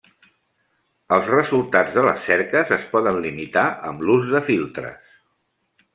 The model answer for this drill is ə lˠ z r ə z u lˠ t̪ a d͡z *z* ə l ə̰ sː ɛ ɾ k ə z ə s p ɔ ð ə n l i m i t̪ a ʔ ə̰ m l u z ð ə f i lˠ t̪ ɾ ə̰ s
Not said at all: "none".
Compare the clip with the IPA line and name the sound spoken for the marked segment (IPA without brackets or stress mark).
ð